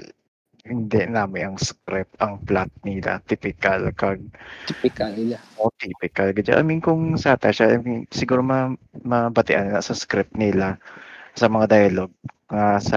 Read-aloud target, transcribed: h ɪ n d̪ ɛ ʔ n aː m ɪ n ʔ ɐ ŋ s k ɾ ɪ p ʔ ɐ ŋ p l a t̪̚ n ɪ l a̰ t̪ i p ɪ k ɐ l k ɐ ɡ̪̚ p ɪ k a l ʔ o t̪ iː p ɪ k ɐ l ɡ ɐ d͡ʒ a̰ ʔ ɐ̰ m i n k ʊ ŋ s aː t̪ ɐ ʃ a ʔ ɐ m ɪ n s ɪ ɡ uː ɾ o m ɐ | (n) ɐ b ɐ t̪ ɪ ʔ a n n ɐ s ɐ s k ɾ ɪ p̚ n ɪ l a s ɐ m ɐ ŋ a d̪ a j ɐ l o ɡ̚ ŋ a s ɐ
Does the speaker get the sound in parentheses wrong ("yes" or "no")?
yes